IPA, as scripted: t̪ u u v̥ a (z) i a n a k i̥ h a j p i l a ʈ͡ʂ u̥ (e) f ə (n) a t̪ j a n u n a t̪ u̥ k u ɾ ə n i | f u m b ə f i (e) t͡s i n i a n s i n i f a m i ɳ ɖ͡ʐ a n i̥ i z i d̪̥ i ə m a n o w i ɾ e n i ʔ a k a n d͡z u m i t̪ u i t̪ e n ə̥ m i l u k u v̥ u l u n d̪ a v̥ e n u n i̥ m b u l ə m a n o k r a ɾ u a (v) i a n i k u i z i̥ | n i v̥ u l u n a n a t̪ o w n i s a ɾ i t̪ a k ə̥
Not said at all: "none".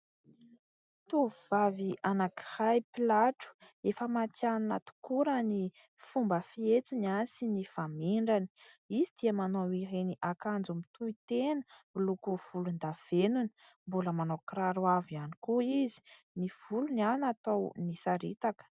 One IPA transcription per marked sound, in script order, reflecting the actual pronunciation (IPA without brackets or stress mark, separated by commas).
v, e, m, e, v